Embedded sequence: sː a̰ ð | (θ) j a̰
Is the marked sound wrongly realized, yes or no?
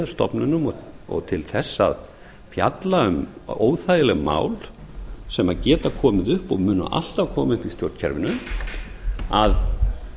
yes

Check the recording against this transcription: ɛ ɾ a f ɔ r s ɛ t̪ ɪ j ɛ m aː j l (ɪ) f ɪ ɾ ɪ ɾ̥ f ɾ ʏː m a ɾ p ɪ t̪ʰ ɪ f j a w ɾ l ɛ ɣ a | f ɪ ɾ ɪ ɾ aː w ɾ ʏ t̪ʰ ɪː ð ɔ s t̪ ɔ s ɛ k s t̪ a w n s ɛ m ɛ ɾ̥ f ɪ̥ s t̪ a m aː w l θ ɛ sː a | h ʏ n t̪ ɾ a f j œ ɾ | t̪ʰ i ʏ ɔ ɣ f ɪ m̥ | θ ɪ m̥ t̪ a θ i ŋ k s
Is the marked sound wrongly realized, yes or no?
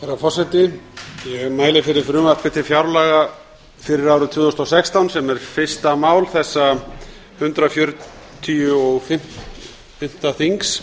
no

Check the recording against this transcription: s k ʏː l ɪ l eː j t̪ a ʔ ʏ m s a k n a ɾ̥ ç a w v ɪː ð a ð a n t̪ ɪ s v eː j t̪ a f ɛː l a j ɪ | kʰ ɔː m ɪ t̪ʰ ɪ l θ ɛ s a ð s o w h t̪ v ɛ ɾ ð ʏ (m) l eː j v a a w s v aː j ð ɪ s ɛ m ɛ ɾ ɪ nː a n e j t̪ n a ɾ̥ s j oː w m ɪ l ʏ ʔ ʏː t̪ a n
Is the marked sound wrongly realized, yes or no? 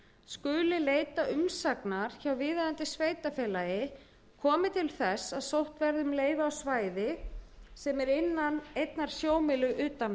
no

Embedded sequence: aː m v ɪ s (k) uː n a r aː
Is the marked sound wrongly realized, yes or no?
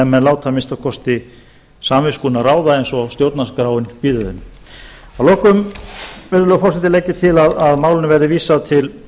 no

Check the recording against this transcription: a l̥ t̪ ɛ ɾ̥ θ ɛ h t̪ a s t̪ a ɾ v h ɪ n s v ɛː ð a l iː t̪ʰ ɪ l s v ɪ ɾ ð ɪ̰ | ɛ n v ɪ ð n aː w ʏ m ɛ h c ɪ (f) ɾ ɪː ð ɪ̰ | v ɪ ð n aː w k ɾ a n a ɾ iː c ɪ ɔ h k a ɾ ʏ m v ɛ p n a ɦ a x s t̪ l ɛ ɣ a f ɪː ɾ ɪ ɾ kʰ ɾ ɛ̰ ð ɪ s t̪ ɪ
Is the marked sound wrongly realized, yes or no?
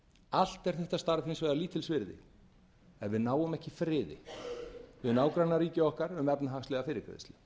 no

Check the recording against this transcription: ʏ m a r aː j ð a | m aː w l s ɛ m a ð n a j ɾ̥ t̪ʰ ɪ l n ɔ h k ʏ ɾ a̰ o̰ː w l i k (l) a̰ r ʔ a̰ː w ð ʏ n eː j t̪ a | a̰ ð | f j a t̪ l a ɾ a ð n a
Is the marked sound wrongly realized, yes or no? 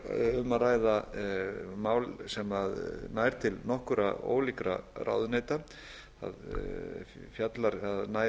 yes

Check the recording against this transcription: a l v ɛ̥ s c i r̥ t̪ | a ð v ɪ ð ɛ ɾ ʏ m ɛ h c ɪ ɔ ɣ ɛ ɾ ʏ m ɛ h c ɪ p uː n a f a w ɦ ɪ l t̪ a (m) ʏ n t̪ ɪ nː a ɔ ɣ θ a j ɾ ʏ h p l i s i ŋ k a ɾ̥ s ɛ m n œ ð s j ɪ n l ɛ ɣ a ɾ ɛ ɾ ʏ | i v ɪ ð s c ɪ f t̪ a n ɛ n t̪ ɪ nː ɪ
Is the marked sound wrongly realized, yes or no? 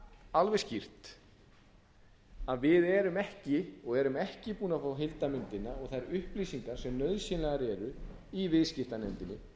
no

